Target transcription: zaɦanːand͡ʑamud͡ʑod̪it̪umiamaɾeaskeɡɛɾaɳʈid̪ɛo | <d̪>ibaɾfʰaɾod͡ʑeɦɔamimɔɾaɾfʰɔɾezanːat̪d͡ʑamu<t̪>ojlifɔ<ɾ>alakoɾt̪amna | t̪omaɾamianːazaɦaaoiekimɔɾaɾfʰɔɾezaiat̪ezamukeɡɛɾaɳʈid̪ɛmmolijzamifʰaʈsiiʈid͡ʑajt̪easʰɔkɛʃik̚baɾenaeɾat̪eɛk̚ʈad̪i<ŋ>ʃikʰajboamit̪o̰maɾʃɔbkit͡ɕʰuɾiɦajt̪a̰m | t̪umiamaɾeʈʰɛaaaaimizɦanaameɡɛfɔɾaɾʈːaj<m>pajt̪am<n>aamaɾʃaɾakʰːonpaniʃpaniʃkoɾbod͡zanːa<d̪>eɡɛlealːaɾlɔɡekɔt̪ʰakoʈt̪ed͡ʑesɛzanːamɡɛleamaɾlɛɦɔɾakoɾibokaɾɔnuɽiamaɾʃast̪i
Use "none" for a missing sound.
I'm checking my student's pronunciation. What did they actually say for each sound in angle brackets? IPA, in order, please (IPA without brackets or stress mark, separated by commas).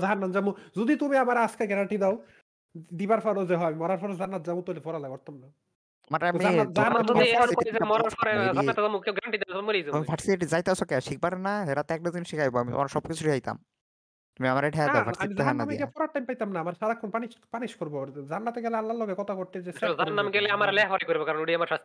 d̪, t̪, ɾ, n, m, n, t̪